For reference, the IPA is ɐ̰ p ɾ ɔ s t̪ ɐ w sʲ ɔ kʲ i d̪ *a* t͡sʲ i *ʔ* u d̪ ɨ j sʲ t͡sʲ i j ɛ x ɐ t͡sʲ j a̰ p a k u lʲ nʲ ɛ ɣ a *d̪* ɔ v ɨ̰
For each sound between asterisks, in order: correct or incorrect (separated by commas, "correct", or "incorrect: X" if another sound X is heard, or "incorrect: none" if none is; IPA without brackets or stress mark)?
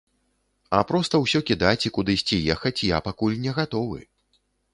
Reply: correct, incorrect: k, incorrect: t̪